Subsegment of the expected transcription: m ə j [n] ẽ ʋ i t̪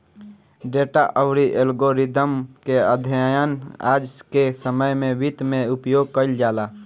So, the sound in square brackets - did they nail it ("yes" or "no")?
no